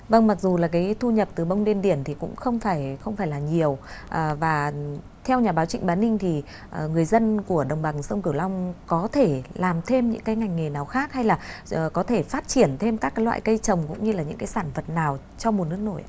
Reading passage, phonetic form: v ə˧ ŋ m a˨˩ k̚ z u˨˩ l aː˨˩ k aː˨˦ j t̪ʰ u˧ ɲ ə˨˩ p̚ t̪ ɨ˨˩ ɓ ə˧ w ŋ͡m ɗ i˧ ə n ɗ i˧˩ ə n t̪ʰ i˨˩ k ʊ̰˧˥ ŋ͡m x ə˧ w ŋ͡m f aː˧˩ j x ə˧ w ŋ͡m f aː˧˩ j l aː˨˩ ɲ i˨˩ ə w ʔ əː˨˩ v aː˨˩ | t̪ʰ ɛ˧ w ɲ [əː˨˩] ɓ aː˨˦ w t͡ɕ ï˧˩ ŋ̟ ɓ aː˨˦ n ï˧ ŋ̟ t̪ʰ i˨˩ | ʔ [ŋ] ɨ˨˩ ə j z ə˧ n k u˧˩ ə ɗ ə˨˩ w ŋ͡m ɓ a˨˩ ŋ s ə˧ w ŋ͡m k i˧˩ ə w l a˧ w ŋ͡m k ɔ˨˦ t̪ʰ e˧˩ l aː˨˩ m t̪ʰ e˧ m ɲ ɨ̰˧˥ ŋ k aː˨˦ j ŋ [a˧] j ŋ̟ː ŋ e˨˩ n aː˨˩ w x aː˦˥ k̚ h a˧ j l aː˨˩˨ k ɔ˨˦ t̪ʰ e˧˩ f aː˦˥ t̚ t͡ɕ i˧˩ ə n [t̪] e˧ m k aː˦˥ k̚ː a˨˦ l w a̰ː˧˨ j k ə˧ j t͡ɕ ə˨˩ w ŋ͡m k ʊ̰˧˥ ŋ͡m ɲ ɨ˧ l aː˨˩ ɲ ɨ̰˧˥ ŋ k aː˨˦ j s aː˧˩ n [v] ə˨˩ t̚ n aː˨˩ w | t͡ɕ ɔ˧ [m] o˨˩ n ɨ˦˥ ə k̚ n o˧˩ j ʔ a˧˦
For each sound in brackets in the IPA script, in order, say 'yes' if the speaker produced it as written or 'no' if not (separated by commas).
no, yes, no, no, no, yes